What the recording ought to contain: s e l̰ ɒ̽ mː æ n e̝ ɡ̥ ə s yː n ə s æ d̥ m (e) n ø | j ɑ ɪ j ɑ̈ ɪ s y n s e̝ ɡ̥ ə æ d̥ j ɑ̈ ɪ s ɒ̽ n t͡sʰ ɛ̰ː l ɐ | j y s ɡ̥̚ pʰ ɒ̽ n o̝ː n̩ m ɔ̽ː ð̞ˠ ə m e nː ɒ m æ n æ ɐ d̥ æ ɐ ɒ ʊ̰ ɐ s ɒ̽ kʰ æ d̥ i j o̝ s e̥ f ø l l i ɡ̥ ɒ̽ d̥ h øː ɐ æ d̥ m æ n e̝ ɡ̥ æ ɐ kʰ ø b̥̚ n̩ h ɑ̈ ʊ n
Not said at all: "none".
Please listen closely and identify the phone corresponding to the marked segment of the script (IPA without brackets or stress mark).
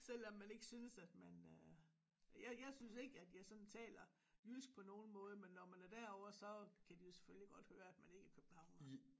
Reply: æ